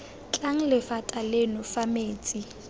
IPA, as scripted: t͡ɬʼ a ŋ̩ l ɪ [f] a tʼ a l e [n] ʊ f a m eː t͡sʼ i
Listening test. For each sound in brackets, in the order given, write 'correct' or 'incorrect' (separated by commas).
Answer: correct, correct